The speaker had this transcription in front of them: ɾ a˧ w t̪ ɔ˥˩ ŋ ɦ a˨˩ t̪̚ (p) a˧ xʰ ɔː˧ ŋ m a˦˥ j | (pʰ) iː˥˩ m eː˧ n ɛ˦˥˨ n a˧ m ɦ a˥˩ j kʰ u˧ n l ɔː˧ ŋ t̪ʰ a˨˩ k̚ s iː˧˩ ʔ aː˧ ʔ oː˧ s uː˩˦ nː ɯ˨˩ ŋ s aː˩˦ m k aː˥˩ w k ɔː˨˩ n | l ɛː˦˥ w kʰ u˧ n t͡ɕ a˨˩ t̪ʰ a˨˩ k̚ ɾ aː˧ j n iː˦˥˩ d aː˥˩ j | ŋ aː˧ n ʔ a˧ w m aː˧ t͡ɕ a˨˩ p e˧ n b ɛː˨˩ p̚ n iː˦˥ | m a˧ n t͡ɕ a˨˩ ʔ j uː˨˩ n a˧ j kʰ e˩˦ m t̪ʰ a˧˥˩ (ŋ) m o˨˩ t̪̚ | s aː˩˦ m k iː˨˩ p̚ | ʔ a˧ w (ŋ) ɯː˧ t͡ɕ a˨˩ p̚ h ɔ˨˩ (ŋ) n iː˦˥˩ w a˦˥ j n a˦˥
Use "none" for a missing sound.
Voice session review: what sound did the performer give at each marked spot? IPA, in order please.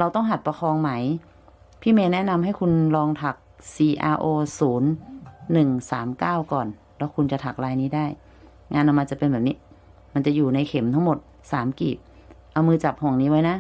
p, pʰ, ŋ, m, ŋ

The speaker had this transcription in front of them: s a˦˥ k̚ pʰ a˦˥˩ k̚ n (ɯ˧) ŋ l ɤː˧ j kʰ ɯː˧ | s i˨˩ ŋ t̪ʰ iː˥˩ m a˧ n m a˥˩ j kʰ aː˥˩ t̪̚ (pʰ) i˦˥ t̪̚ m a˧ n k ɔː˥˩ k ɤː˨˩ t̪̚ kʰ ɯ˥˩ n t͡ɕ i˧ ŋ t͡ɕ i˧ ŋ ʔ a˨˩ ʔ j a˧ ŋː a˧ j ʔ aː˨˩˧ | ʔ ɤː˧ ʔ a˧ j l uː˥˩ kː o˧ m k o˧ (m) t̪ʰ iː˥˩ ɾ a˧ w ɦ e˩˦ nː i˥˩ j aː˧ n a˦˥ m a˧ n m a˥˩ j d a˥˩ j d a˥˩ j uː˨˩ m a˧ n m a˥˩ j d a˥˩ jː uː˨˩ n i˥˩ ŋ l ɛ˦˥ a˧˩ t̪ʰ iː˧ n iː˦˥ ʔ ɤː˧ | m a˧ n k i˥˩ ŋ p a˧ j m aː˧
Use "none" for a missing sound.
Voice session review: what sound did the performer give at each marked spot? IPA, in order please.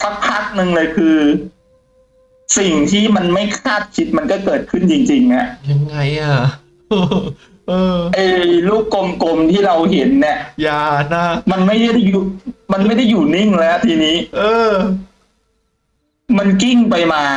ɯ˧, kʰ, m

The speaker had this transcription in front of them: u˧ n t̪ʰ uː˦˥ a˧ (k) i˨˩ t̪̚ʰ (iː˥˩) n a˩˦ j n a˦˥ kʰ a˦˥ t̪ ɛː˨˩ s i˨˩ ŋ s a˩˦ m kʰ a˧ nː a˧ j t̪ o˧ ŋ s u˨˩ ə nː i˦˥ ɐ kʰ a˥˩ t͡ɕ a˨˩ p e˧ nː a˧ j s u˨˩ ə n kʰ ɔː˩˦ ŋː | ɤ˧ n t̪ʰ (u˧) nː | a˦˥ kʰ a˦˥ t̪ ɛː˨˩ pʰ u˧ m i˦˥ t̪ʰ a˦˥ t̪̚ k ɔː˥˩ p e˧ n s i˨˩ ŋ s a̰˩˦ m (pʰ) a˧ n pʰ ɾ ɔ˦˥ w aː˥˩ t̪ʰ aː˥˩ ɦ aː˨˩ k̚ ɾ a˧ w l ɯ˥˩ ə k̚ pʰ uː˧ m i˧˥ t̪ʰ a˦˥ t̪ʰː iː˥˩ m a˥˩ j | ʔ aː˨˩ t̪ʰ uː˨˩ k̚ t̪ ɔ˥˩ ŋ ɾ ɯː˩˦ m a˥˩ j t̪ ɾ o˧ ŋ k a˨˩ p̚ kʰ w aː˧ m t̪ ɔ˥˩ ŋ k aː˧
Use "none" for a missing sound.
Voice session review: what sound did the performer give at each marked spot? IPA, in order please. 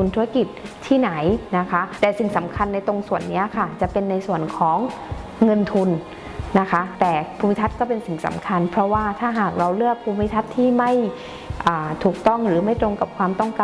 k, iː˥˩, u˧, kʰ

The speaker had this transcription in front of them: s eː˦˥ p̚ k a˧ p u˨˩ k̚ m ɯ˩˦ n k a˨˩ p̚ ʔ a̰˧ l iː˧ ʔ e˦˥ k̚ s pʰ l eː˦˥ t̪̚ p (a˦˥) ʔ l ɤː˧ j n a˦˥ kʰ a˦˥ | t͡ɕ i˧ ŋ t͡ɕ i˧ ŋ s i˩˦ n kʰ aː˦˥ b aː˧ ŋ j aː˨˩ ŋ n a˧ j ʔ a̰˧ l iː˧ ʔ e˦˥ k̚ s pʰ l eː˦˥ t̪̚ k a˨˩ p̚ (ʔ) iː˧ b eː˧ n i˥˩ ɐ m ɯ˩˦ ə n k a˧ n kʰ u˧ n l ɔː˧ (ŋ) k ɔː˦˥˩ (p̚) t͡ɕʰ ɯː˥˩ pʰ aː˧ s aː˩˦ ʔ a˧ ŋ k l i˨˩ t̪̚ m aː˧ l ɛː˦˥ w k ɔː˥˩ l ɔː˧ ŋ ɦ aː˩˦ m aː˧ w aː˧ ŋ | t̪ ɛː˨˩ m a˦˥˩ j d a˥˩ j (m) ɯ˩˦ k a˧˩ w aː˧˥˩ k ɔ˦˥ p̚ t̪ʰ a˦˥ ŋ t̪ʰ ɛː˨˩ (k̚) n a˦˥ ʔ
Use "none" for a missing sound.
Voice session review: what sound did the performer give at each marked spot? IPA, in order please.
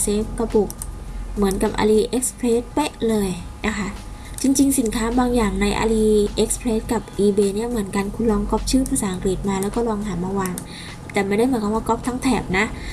e˦˥, ʔ, ŋ, p̚, m, p̚

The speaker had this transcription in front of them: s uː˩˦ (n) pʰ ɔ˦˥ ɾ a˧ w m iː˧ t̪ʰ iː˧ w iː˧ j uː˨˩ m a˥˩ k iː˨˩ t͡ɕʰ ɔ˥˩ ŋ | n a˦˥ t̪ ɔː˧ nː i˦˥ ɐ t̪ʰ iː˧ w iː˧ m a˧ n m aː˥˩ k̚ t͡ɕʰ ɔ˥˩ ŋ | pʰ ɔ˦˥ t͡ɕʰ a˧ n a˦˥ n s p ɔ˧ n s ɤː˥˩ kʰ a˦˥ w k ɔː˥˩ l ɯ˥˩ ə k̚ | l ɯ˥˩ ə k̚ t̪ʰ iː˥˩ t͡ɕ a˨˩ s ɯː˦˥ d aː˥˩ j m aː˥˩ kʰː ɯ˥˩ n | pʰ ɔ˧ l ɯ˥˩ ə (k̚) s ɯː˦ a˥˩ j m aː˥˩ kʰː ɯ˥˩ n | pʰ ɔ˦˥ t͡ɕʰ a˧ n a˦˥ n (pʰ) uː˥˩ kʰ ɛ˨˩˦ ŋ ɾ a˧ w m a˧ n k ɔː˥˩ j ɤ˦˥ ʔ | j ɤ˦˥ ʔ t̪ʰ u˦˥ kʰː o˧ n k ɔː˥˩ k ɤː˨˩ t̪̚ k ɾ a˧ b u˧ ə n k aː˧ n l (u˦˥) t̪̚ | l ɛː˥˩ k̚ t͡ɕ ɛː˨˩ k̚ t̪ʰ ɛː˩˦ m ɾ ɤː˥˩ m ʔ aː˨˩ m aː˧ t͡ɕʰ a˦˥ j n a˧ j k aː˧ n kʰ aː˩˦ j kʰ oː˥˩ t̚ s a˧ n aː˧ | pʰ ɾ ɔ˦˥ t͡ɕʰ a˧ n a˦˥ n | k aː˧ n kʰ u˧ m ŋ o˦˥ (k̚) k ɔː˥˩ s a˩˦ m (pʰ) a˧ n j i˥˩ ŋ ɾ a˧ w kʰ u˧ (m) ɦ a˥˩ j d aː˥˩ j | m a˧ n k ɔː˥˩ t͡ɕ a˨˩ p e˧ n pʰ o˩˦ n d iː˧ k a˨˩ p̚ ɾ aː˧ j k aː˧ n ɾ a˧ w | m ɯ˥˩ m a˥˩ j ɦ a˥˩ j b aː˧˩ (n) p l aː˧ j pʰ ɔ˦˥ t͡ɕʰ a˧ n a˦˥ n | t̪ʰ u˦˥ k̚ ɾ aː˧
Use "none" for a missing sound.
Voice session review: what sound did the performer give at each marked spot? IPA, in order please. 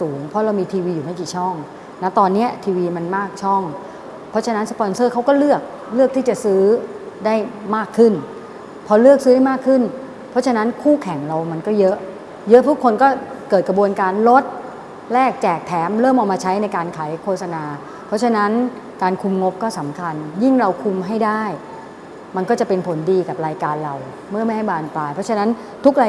ŋ, k̚, kʰ, o˦˥, p̚, kʰ, m, n

